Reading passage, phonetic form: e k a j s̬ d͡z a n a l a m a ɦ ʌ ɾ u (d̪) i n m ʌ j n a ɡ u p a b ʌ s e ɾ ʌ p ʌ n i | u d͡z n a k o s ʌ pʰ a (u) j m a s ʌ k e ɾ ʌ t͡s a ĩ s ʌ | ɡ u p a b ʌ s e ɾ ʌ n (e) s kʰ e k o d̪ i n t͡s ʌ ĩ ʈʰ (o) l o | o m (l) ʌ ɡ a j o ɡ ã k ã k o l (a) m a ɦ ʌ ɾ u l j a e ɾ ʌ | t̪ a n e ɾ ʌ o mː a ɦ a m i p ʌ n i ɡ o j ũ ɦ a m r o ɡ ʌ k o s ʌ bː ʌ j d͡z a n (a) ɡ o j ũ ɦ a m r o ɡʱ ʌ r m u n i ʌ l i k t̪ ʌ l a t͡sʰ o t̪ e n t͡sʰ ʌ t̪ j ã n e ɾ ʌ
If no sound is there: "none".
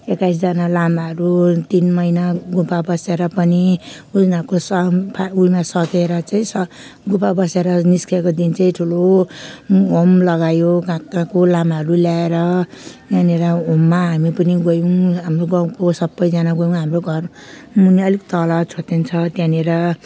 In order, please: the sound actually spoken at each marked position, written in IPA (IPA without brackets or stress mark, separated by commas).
t̪, u, i, u, l, a, a